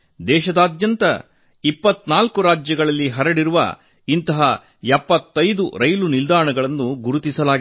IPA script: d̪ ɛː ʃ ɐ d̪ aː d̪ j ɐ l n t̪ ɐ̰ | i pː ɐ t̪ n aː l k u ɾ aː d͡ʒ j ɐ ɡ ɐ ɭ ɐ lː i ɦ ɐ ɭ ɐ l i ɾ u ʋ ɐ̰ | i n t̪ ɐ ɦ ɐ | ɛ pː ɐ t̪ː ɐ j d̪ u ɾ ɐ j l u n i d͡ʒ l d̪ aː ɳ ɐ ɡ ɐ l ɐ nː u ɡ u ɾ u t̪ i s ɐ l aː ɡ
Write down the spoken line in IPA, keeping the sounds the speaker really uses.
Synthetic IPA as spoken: d̪ ɛː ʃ ɐ d̪ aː d̪ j ɐ n t̪ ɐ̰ | i pː ɐ t̪ n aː l k u ɾ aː d͡ʒ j ɐ ɡ ɐ ɭ ɐ lː i ɦ ɐ ɾ ɐ ɽ i ɾ u ʋ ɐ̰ | i n t̪ ɐ ɦ ɐ | ɛ pː ɐ t̪ː ɐ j d̪ u ɾ ɐ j l u n i l d̪ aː ɳ ɐ ɡ ɐ ɭ ɐ nː u ɡ u ɾ u t̪ i s ɐ l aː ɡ